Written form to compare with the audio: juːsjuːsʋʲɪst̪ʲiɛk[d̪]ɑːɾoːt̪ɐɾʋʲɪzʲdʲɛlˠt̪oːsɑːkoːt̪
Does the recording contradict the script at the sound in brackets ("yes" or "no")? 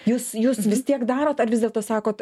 no